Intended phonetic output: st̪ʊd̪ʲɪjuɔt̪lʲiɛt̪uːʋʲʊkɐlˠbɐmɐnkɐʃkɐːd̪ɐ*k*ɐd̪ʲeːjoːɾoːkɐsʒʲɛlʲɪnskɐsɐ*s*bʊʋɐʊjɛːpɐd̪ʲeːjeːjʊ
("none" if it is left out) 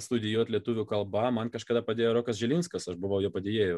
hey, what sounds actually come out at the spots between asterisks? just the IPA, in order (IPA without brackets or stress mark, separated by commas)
p, ʃ